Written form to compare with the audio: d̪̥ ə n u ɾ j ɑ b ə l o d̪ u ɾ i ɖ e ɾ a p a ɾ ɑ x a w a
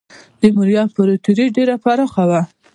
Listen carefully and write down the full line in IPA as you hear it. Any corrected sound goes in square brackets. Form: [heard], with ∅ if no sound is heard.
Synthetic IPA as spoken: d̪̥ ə [m] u ɾ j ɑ [p] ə [ɾ] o [t̪] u ɾ i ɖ e ɾ a p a ɾ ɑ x a w a